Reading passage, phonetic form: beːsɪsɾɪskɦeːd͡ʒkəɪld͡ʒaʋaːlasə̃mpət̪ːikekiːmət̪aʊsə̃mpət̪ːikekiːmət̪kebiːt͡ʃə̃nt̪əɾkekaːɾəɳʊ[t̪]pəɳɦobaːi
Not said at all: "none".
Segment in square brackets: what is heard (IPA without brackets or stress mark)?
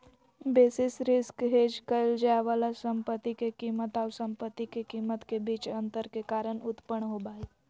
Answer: t̪